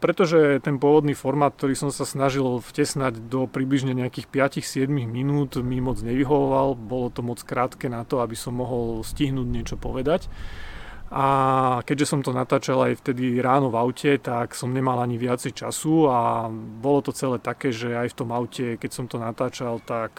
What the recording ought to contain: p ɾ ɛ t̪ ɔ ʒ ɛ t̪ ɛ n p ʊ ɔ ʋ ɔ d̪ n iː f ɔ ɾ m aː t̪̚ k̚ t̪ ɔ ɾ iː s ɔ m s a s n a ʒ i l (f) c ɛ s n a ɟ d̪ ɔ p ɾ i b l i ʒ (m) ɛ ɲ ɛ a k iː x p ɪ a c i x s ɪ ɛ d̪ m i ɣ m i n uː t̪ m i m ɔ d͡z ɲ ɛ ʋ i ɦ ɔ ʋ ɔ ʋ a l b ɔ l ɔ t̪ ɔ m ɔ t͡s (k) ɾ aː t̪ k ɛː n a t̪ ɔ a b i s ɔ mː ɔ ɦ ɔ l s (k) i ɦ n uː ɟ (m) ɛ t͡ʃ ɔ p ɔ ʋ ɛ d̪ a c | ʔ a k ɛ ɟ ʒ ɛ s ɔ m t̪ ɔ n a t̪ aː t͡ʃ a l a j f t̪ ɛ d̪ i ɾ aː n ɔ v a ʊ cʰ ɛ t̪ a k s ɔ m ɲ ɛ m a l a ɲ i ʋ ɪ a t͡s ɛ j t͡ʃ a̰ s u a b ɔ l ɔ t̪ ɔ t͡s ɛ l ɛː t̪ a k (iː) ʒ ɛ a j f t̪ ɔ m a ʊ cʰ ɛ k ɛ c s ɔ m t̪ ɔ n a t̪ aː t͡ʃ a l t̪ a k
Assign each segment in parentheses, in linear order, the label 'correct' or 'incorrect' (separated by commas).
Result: correct, incorrect, correct, incorrect, incorrect, incorrect